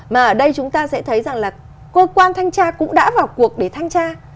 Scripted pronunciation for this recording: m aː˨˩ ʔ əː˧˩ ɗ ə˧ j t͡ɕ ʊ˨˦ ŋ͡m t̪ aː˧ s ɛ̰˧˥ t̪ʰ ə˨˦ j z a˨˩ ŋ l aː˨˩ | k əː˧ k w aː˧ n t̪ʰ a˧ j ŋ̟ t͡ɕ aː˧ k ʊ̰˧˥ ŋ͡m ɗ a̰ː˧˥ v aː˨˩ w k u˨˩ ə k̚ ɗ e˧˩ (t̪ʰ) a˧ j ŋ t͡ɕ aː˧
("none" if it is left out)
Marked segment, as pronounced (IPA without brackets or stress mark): t̪ʰ